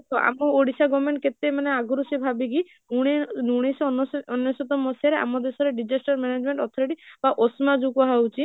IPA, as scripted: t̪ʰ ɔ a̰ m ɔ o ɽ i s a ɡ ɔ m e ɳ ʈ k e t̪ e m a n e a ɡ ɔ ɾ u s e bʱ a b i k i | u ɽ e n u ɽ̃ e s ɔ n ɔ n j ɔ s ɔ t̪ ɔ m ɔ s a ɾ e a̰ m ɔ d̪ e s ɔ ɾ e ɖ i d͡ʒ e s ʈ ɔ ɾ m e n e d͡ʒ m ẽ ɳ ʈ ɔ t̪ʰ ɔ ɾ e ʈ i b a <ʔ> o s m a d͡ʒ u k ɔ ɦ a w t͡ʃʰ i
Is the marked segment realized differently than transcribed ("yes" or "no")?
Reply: no